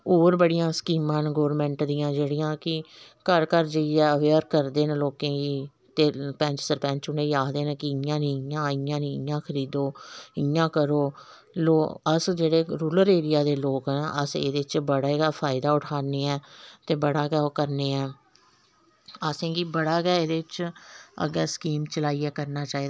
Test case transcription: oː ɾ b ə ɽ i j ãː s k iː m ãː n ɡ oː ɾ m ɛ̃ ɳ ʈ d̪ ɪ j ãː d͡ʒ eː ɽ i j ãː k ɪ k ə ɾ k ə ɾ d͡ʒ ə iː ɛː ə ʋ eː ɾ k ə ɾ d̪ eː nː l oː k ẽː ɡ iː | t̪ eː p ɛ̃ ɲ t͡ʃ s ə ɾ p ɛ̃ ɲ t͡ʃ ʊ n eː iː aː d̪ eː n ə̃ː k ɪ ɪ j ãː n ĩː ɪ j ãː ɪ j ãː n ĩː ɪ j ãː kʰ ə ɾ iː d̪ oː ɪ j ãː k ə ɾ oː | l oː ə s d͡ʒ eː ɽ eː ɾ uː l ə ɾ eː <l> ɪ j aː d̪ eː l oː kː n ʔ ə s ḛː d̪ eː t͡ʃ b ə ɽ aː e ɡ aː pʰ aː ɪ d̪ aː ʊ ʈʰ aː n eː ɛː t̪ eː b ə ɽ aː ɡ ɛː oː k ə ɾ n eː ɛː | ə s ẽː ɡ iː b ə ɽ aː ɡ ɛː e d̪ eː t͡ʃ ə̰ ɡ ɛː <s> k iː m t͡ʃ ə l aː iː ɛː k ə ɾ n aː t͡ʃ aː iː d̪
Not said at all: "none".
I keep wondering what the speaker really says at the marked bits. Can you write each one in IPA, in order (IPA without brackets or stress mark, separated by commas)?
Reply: ɾ, s